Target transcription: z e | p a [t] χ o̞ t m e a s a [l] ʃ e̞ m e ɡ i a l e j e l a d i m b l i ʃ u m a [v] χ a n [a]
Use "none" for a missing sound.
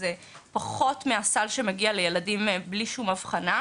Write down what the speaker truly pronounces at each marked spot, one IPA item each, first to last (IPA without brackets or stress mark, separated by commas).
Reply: none, l, v, a